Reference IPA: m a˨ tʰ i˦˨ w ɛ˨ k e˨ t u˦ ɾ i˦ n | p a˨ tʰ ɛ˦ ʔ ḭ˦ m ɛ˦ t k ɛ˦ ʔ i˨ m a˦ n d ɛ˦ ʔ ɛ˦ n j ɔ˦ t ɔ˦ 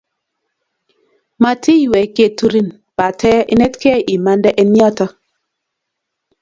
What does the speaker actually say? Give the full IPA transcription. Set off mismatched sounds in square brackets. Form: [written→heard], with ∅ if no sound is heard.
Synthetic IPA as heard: m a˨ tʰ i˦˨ w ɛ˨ k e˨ t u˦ ɾ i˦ n | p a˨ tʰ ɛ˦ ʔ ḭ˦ [m→n] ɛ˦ t k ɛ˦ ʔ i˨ m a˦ n d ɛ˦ ʔ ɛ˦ n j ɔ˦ t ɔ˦

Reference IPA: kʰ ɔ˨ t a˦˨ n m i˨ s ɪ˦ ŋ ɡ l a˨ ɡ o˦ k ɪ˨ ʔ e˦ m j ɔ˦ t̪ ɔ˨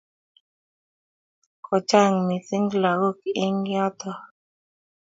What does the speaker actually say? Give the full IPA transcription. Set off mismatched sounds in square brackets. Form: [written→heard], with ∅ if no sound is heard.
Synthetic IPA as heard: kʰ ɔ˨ [t→t͡ʃ] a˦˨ [n→ŋ] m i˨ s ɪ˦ ŋ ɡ l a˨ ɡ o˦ k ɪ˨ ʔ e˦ [m→ŋ] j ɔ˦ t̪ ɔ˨

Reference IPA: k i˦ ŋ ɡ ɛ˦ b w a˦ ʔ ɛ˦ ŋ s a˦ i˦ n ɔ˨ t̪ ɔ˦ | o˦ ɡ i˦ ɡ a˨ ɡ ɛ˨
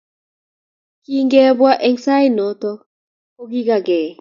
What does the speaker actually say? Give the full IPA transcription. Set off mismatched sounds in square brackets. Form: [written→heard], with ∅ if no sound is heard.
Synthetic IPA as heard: k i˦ ŋ ɡ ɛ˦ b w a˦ ʔ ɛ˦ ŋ s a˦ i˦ n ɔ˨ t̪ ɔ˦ | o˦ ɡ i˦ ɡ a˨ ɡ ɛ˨

